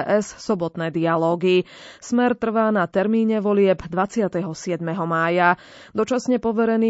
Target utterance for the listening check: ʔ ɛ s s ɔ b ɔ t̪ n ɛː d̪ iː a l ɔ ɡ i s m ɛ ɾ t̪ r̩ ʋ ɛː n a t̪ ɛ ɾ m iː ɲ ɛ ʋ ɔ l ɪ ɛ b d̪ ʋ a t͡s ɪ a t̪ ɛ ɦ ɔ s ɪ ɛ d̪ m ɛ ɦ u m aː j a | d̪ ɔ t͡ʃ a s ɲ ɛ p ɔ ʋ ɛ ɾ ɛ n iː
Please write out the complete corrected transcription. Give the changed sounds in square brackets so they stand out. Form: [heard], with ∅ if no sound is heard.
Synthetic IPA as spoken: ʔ ɛ s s ɔ b ɔ t̪ n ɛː d̪ [i] a l [ɔː] ɡ i s m ɛ ɾ t̪ r̩ ʋ [aː] n a t̪ ɛ ɾ m iː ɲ ɛ ʋ ɔ l ɪ ɛ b d̪ ʋ a t͡s ɪ a t̪ ɛ ɦ ɔ s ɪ ɛ d̪ m ɛ ɦ [ɔ] m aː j a | d̪ ɔ t͡ʃ a s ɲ ɛ p ɔ ʋ ɛ ɾ ɛ n iː